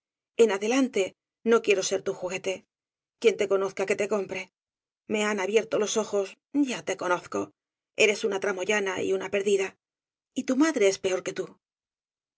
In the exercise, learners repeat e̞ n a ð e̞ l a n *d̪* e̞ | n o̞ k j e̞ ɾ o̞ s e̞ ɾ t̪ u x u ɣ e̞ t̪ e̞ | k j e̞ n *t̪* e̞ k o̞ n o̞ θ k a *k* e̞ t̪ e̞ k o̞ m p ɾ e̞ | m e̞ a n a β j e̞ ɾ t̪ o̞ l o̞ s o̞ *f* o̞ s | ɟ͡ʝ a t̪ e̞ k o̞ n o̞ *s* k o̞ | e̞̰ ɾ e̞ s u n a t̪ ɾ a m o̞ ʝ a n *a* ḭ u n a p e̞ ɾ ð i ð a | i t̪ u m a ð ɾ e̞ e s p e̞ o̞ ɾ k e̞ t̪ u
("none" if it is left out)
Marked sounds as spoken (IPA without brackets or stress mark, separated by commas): t̪, t̪, k, x, θ, a